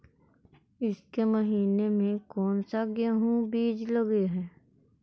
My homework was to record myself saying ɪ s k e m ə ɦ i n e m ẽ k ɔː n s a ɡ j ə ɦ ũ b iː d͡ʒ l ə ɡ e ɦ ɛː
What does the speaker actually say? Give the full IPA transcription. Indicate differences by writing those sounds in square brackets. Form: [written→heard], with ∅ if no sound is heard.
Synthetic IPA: ɪ s k e m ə ɦ [i→iː] n e m ẽ k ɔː n s a ɡ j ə ɦ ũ b iː d͡ʒ l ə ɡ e ɦ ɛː